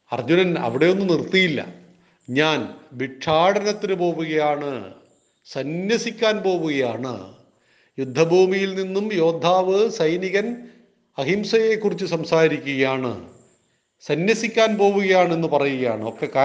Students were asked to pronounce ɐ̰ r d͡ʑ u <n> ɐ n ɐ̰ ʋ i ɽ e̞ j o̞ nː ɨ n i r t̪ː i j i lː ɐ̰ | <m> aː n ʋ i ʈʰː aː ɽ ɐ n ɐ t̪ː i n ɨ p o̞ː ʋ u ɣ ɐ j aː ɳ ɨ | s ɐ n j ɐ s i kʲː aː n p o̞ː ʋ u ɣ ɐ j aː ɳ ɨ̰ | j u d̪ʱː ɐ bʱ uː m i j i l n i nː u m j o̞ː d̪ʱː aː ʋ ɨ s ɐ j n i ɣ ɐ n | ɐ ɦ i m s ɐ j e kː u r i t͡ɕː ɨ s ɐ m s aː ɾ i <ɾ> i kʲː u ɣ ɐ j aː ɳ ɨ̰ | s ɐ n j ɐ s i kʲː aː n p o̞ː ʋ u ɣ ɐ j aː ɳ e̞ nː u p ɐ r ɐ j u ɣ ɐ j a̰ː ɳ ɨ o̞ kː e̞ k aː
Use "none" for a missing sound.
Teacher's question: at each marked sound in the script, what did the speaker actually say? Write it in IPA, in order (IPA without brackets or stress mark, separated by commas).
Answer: n, ɲ, ɾ